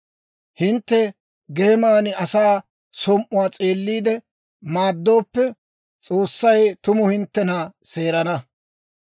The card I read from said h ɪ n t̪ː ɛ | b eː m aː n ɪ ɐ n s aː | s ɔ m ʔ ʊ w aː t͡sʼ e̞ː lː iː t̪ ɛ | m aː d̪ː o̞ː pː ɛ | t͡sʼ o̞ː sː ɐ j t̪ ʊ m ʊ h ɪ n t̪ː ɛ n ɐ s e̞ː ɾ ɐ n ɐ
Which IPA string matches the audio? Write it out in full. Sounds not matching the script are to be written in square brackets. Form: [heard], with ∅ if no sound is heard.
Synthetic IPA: h ɪ n t̪ː ɛ | [ɡ] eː m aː n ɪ ɐ [∅] s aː | s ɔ m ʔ ʊ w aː t͡sʼ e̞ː lː iː [d̪] ɛ | m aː d̪ː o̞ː pː ɛ | t͡sʼ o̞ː sː ɐ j t̪ ʊ m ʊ h ɪ n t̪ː ɛ n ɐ s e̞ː ɾ ɐ n ɐ